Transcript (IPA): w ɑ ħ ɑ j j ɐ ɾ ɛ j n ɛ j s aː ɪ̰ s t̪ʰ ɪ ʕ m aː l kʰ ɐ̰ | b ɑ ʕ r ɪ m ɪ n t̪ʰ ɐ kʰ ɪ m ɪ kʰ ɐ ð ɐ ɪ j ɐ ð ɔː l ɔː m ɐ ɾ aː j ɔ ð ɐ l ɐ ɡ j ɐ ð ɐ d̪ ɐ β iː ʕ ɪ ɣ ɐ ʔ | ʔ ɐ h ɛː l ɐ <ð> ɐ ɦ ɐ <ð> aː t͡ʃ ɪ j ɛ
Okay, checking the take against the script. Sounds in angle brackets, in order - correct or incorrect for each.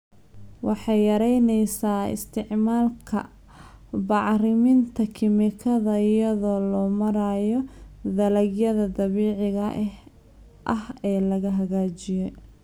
incorrect: ɣ, incorrect: ɣ

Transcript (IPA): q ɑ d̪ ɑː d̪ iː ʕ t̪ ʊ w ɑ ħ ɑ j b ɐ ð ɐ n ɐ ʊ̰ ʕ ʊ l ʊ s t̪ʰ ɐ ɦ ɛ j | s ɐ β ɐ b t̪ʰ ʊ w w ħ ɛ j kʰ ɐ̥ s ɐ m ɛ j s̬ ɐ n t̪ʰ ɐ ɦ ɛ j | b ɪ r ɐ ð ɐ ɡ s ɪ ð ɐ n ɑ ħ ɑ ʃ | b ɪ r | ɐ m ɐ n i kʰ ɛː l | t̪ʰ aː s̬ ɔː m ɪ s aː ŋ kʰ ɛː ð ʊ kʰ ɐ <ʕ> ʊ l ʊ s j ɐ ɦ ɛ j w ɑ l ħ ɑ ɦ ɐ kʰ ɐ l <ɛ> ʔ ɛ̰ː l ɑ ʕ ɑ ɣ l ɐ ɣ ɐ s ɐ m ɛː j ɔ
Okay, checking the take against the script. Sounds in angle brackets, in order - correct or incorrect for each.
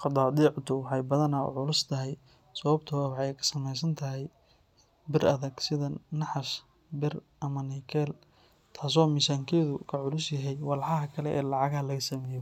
correct, correct

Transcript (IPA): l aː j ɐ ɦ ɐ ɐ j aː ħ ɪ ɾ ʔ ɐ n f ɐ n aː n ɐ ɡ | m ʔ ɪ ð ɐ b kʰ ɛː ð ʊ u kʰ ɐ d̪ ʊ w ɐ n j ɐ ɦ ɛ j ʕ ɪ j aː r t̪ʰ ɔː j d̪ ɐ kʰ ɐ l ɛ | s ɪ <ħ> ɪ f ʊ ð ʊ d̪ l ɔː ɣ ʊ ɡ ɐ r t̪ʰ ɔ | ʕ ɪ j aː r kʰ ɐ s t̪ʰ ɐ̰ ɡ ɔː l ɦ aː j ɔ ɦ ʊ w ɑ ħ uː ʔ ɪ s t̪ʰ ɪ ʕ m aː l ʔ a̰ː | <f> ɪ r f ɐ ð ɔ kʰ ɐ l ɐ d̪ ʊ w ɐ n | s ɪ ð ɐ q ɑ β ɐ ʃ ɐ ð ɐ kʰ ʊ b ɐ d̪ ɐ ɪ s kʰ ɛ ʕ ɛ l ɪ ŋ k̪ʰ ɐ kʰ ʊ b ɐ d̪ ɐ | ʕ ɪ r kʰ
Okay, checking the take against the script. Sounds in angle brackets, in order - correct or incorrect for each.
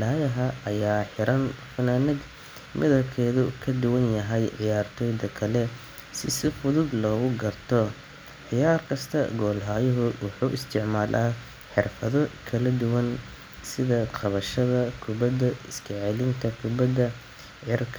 incorrect: s, incorrect: ħ

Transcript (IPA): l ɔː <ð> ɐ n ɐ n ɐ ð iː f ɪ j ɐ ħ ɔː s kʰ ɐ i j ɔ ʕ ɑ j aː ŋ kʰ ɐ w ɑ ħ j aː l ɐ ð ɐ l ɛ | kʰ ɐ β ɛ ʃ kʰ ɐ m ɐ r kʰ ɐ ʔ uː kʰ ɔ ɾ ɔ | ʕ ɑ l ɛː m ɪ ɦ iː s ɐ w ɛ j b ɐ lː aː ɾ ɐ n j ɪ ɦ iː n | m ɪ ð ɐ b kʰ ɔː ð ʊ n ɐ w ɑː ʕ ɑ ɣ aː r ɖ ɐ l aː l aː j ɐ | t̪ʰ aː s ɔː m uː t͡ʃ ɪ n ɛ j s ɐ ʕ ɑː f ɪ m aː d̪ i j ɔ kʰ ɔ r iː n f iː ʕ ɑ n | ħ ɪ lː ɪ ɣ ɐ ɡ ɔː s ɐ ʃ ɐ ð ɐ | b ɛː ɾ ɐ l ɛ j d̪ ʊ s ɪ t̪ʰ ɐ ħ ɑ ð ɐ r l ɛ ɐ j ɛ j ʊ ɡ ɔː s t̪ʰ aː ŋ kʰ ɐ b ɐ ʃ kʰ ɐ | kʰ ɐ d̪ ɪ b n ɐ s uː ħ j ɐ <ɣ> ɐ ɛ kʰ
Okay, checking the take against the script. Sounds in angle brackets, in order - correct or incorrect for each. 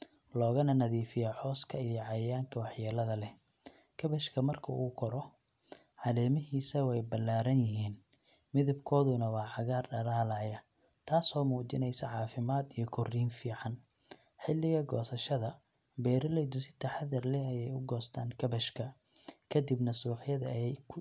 incorrect: ɣ, incorrect: ð

